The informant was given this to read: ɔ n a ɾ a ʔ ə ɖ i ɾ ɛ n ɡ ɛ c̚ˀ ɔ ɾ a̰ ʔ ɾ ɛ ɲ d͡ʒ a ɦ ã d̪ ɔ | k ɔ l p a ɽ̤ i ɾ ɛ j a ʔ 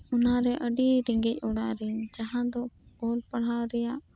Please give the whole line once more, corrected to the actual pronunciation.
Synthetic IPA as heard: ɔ n a ɾ ɛ ʔ ə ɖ i ɾ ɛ ŋ ɡ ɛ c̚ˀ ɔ ɽ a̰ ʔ ɾ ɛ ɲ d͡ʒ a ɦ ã d̪ ɔ | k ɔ l p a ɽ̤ a ɾ ɛ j a ʔ

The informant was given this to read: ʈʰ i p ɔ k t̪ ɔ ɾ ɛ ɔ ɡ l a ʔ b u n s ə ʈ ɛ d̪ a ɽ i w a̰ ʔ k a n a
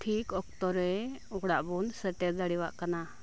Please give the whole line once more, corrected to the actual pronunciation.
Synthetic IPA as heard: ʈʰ i k ɔ k t̪ ɔ ɾ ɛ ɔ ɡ ɽ a ʔ b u n s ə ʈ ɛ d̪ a ɽ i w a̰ ʔ k a n a

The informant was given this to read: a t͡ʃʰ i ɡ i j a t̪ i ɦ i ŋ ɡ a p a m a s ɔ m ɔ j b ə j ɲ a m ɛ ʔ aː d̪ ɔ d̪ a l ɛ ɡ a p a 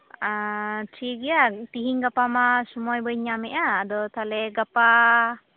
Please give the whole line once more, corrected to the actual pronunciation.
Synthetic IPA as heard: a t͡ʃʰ i ɡ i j a t̪ i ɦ i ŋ ɡ a p a m a s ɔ m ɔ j b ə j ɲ a m ɛ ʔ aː d̪ ɔ t̪ a l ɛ ɡ a p a

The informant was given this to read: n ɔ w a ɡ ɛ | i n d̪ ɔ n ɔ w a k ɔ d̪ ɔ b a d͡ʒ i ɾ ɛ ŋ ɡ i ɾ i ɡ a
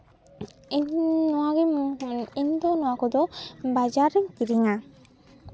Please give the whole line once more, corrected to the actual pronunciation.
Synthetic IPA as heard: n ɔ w a ɡ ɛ | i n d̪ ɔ n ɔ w a k ɔ d̪ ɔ b a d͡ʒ a ɾ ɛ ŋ k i ɾ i ŋ a

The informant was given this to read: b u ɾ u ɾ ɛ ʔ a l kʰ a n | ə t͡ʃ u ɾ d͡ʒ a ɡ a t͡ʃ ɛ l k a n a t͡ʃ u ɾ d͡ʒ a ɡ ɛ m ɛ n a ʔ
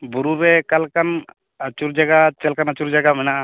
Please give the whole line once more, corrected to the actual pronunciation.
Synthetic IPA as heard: b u ɾ u ɾ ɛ k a l k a n | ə t͡ʃ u ɾ d͡ʒ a ɡ a t͡ʃ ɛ l k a n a t͡ʃ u ɾ d͡ʒ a ɡ a m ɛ n a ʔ

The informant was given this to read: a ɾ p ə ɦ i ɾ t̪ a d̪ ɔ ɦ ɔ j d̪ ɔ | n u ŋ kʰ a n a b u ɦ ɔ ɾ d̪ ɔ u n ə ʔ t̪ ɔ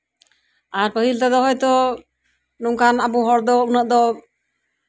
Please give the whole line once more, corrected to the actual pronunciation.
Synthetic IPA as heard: a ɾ p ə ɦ i l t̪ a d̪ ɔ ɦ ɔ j t̪ ɔ | n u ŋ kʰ a n a b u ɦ ɔ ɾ d̪ ɔ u n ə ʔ d̪ ɔ

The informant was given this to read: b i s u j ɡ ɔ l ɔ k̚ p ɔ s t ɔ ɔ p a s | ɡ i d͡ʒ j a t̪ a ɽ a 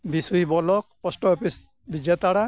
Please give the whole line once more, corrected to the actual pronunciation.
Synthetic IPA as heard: b i s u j b ɔ l ɔ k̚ p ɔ s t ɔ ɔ p i s | b i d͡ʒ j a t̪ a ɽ a

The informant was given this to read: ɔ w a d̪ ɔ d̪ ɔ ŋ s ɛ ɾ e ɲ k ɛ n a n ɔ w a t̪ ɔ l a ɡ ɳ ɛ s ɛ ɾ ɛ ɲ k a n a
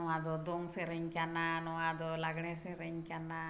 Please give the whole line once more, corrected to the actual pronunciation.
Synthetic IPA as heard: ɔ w a d̪ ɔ d̪ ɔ ŋ s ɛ ɾ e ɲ k a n a n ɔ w a d̪ ɔ l a ɡ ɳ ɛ s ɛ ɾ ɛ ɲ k a n a

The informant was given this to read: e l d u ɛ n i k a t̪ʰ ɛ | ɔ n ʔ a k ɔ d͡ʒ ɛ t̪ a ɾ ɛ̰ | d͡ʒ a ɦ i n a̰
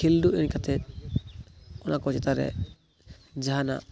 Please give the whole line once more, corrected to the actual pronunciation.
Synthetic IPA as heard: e l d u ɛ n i k a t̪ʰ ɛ | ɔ n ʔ a k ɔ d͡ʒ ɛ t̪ a ɾ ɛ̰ | d͡ʒ a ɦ a n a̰

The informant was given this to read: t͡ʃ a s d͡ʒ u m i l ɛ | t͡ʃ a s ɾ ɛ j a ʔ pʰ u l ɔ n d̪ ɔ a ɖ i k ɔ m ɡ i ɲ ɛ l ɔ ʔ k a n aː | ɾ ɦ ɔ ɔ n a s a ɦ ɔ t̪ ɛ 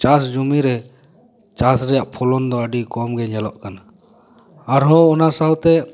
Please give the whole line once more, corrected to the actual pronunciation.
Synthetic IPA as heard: t͡ʃ a s d͡ʒ u m i ɾ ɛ | t͡ʃ a s ɾ ɛ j a ʔ pʰ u l ɔ n d̪ ɔ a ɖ i k ɔ m ɡ ɛ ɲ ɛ l ɔ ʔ k a n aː | ɾ ɦ ɔ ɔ n a s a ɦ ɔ t̪ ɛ

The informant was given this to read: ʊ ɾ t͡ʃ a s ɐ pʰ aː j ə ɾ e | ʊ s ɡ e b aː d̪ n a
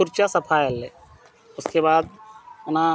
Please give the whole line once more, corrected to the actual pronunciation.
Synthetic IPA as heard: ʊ ɾ t͡ʃ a s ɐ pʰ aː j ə l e | ʊ s k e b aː d̪ n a

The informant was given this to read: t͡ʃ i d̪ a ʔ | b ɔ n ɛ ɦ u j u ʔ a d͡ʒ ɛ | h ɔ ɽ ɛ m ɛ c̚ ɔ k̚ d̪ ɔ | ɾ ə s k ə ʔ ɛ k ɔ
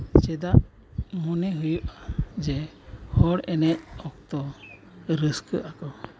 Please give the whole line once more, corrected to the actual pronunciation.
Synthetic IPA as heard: t͡ʃ ɛ d̪ a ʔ | m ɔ n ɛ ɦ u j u ʔ a d͡ʒ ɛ | h ɔ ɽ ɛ n ɛ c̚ ɔ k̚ t̪ ɔ | ɾ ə s k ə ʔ a k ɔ

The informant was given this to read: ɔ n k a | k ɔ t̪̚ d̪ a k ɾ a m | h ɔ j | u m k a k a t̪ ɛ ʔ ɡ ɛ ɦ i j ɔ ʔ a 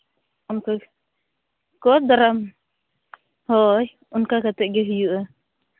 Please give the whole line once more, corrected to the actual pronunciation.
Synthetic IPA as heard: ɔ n k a | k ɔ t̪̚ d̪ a ɾ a m | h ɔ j | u n k a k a t̪ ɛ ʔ ɡ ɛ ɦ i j u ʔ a

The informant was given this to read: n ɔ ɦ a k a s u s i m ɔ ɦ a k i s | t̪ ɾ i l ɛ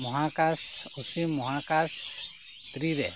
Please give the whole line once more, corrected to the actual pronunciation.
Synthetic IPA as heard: m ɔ ɦ a k a s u s i m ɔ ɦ a k a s | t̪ ɾ i ɾ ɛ

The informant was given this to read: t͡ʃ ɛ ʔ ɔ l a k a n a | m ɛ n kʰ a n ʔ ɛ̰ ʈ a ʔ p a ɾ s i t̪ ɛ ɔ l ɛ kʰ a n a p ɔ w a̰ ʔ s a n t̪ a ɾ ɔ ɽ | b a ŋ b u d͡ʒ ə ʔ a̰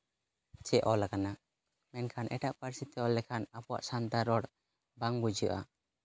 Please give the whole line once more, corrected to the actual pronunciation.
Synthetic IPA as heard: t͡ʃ ɛ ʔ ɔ l a k a n a | m ɛ n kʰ a n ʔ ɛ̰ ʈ a ʔ p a ɾ s i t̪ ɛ ɔ l ɛ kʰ a n a p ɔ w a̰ ʔ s a n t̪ a ɾ ɔ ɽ | b a ŋ b u d͡ʒ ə ʔ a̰

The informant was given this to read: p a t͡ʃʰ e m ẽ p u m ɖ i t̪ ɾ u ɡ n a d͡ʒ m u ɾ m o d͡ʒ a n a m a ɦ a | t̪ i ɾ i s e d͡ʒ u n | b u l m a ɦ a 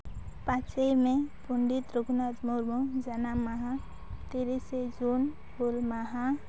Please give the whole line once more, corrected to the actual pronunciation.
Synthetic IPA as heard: p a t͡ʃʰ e m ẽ p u ɳ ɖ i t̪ ɾ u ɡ n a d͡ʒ m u ɾ m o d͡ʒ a n a m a ɦ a | t̪ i ɾ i s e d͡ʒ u n | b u l m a ɦ a

